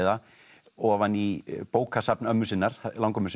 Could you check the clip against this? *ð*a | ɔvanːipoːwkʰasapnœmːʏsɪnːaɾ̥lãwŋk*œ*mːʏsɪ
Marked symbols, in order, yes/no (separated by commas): yes, yes